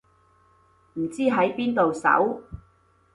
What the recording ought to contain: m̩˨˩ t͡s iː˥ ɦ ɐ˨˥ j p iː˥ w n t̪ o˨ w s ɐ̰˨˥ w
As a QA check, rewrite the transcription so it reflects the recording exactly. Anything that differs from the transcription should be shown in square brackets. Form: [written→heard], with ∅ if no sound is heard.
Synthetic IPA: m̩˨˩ t͡s iː˥ ɦ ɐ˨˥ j p iː˥ [w→∅] n t̪ o˨ w s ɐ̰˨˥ w